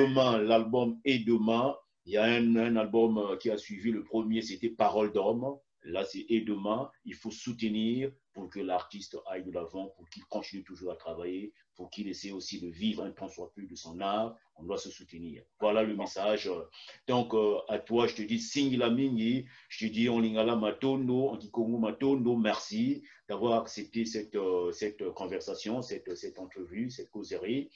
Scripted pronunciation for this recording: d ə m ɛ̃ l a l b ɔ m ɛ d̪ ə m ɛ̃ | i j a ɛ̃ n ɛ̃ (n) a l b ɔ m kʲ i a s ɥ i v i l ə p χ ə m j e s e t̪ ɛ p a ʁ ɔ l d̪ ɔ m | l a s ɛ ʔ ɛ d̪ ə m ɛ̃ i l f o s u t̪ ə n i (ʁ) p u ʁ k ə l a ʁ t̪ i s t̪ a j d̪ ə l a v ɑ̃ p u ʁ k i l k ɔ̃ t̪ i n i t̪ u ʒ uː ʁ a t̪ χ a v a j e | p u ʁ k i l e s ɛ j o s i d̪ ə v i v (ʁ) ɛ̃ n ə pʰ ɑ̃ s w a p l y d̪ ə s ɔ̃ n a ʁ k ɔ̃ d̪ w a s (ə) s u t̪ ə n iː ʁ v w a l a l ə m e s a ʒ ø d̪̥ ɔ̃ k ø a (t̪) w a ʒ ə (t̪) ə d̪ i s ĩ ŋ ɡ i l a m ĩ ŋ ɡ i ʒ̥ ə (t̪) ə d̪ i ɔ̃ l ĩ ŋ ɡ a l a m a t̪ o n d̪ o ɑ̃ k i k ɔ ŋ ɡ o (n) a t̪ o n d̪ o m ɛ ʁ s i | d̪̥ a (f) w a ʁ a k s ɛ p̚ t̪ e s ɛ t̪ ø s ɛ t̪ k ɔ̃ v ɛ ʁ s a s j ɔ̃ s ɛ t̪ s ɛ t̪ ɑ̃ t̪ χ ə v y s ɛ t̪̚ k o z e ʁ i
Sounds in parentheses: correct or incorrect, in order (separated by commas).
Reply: correct, correct, correct, correct, correct, correct, correct, incorrect, incorrect